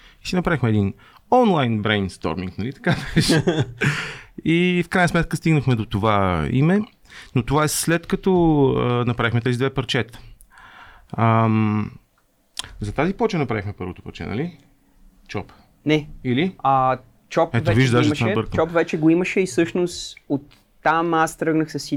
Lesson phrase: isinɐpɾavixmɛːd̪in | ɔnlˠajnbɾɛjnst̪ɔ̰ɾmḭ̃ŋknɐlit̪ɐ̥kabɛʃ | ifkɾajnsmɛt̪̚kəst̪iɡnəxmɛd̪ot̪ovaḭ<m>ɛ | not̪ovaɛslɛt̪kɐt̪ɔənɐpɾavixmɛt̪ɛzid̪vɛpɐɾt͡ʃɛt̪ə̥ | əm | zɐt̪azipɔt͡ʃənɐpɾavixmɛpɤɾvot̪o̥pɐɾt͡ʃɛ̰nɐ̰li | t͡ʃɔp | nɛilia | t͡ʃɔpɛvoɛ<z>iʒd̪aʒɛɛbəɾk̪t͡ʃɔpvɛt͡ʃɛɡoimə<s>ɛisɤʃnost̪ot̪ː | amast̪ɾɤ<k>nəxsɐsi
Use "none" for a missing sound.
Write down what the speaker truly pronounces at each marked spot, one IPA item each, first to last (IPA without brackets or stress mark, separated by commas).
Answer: m, v, ʃ, ɡ